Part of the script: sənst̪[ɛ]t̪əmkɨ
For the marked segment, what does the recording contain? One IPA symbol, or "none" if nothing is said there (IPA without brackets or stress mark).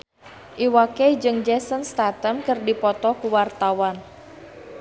a